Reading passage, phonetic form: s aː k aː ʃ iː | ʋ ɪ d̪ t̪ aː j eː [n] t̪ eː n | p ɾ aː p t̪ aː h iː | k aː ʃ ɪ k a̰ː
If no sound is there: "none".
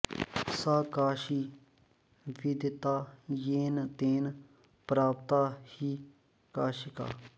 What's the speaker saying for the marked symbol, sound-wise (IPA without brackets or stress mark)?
n